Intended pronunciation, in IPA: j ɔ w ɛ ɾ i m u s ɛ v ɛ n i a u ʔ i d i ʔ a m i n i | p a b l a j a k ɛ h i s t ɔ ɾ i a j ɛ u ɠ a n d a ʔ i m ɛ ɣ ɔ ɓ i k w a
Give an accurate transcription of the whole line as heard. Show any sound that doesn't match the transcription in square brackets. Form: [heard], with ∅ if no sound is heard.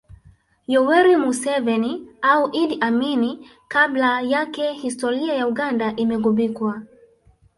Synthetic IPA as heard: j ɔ w ɛ ɾ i m u s ɛ v ɛ n i a u ʔ i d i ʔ a m i n i | [k] a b l a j a k ɛ h i s t ɔ ɾ i a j [a] u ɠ a n d a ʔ i m ɛ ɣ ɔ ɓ i k w a